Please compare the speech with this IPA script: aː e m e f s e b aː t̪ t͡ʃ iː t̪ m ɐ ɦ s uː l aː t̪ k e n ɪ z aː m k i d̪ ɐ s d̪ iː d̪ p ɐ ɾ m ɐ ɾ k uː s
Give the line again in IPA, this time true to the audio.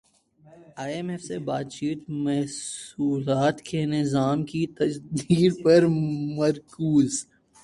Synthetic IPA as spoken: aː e m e f s e b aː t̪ t͡ʃ iː t̪ m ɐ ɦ s uː l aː t̪ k e n ɪ z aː m k i t̪ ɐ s d̪ iː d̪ p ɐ ɾ m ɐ ɾ k uː z